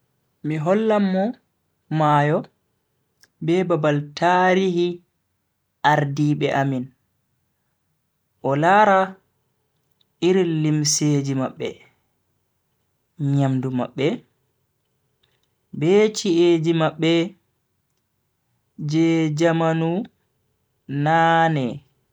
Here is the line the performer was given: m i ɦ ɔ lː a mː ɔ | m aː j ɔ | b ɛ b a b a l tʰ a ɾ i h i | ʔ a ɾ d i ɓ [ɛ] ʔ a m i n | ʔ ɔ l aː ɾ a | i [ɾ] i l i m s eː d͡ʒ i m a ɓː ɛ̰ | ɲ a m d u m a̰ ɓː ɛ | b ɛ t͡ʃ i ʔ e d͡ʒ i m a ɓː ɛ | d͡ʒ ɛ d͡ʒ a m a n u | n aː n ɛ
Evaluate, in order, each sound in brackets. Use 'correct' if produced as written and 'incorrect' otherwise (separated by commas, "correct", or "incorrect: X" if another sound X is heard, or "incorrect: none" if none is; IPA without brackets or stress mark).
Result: correct, correct